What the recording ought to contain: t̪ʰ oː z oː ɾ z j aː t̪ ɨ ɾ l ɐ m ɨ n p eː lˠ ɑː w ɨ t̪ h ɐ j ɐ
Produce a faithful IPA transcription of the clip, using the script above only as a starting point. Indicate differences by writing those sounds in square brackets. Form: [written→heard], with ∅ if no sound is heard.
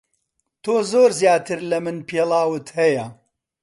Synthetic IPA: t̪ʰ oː z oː ɾ z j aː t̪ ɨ ɾ l ɐ m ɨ n p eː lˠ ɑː w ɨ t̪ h ɐ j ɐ